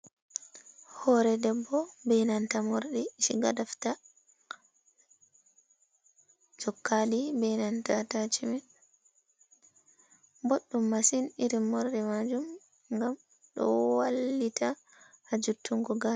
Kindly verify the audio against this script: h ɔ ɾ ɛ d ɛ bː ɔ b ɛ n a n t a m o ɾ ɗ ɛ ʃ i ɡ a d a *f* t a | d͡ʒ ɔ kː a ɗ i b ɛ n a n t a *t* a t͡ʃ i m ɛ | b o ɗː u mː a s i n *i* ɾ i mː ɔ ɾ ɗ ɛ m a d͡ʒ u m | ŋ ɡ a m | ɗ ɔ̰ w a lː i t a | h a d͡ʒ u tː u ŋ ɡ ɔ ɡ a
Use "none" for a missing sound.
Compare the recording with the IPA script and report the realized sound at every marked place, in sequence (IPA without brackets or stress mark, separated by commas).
f, t, i